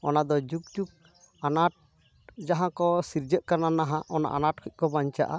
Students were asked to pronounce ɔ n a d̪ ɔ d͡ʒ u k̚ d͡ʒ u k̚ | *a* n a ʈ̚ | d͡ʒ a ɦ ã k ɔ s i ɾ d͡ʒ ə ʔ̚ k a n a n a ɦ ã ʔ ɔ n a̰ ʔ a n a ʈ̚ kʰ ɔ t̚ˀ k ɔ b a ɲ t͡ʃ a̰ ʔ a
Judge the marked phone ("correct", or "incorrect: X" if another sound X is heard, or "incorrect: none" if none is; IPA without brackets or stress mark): correct